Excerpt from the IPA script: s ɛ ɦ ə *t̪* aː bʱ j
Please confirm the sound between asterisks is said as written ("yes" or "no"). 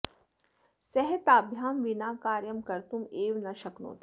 yes